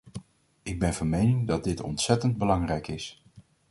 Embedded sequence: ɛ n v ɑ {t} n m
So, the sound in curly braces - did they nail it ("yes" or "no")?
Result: no